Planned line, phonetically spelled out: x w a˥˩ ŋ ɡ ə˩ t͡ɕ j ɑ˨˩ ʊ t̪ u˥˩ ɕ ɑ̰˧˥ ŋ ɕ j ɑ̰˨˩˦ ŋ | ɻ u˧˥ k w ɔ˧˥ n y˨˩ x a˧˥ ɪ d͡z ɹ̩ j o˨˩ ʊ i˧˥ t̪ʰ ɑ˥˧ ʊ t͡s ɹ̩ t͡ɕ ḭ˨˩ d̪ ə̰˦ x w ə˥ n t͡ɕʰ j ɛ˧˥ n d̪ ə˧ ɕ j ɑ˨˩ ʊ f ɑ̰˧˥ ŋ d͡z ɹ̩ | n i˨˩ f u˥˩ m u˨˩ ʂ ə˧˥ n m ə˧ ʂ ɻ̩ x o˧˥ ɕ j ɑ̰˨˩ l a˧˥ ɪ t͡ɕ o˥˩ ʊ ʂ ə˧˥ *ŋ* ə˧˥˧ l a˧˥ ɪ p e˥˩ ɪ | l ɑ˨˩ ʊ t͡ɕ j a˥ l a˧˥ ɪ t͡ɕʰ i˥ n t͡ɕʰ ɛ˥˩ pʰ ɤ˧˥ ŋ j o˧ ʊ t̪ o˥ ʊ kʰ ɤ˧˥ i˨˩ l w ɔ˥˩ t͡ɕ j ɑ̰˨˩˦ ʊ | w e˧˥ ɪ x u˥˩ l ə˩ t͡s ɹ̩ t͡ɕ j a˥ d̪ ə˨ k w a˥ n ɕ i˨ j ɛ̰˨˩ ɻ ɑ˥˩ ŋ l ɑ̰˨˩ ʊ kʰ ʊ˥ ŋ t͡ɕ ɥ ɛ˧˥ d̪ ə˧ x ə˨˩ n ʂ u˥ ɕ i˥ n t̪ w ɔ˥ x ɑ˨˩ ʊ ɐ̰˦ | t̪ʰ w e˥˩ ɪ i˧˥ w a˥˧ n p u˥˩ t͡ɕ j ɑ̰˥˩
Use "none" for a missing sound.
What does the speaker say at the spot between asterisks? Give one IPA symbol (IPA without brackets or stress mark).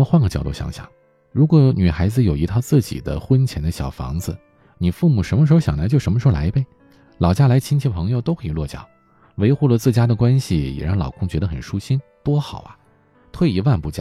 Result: m